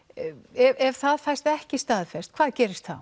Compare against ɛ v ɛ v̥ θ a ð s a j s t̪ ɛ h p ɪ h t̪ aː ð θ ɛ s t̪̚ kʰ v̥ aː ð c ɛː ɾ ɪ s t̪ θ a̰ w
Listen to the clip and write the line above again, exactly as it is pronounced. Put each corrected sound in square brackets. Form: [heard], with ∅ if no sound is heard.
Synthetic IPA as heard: ɛ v ɛ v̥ θ a ð [f] a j s t̪ ɛ h [c] ɪ [s] t̪ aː ð [f] ɛ s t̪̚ kʰ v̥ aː ð c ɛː ɾ ɪ s t̪ θ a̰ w